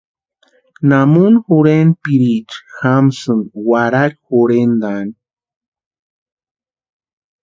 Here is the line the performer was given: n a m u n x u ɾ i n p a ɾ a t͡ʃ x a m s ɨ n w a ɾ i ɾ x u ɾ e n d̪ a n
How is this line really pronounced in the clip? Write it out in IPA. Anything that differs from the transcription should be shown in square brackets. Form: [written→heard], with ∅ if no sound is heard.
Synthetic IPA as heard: n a m u n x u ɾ [i→e] n p [a→i] ɾ [a→i] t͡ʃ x a m s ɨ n w a ɾ [i→a] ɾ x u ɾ e n d̪ a n

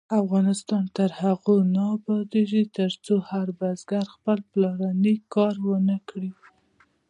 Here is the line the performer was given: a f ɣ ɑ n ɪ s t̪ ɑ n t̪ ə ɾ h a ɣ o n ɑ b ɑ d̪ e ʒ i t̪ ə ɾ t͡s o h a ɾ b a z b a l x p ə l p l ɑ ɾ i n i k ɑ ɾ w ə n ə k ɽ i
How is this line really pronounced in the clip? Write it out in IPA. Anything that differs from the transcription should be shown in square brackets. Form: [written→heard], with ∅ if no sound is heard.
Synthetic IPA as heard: a f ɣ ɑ n ɪ s t̪ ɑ n t̪ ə ɾ h a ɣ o n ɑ b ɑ d̪ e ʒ i t̪ ə ɾ t͡s o h a ɾ b a z [b→ɡ] a [l→ɾ] x p ə l p l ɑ ɾ [i→a] n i k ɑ ɾ w ə n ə k ɽ i

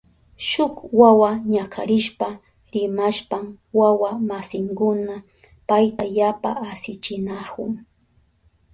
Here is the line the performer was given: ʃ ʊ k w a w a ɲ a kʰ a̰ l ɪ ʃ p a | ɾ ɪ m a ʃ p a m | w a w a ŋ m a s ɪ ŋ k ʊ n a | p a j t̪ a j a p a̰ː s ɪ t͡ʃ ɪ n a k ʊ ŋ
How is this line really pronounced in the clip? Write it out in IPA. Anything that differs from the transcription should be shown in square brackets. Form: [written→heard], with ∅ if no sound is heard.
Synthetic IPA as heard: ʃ ʊ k w a w a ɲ a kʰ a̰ [l→ɾ] ɪ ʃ p a | ɾ ɪ m a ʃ p a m | w a w a [ŋ→∅] m a s ɪ ŋ k ʊ n a | p a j t̪ a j a p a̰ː s ɪ t͡ʃ ɪ n a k ʊ ŋ

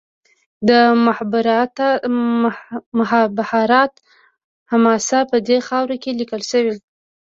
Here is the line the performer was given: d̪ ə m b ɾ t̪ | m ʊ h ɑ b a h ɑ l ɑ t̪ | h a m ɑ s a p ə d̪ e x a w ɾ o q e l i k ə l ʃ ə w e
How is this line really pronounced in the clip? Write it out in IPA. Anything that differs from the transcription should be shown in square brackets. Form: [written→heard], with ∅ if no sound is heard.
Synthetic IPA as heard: d̪ ə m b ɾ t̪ | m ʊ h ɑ b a h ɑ [l→ɾ] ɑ t̪ | h a m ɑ s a p ə d̪ e x [a→ɑ] w ɾ o [q→k] e l i k ə l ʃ ə w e

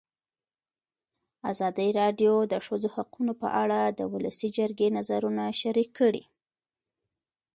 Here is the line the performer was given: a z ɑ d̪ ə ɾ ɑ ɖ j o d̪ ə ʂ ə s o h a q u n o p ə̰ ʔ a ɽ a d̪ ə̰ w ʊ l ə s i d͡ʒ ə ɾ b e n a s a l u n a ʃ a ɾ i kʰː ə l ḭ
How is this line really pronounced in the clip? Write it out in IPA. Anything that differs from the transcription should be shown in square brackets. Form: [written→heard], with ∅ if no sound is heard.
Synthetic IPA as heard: a z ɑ d̪ ə ɾ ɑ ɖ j o d̪ ə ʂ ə [s→z] o h a q u n o p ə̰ ʔ a ɽ a d̪ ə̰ w ʊ l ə s i d͡ʒ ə ɾ [b→ɡ] e n a [s→z] a [l→ɾ] u n a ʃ a ɾ i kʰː ə [l→ɽ] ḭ

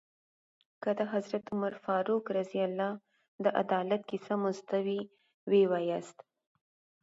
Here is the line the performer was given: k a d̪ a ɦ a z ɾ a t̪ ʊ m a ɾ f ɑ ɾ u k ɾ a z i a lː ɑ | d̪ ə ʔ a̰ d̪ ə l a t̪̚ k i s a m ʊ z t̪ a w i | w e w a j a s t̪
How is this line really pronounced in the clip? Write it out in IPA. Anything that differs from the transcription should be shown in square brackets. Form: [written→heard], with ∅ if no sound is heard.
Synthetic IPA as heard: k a d̪ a ɦ a z ɾ a t̪ ʊ m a ɾ f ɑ ɾ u k ɾ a z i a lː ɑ | d̪ ə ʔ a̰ d̪ [ə→ɑ] l a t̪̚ k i s a m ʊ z t̪ a w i | w e w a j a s t̪

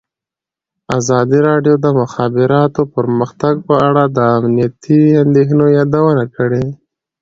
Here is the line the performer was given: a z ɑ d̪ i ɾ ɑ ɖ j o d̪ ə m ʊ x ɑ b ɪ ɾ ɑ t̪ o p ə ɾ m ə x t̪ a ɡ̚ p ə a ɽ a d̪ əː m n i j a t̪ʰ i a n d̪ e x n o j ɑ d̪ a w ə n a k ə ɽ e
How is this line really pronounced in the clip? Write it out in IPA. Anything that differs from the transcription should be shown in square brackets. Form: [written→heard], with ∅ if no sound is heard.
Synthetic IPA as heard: a z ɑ d̪ i ɾ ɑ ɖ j o d̪ ə m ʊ x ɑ b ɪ ɾ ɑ t̪ o p ə ɾ m ə x t̪ a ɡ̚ p ə a ɽ a d̪ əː m n i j a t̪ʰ i a n d̪ e x n o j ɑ d̪ a w ə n a k ə ɽ e

